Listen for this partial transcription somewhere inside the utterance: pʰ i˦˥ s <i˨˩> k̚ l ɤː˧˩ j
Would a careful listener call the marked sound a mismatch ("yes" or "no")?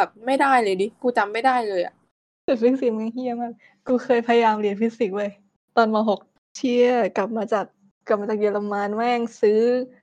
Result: no